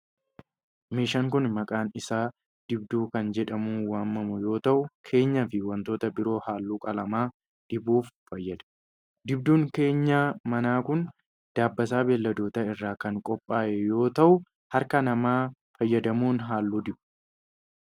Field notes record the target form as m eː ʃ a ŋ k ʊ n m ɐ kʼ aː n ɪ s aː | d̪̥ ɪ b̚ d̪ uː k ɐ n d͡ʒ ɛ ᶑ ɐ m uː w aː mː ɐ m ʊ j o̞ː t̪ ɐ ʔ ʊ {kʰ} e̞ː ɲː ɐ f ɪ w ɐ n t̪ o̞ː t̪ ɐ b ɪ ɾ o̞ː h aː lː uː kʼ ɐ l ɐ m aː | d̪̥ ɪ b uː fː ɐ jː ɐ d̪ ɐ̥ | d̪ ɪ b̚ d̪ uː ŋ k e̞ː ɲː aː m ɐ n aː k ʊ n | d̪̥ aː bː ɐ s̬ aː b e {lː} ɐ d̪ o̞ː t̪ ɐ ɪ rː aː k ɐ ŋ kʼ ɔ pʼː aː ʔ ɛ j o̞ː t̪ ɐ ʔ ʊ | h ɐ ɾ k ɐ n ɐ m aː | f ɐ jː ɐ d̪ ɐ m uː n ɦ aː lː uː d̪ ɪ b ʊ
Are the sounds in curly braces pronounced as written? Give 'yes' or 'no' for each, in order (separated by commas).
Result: yes, yes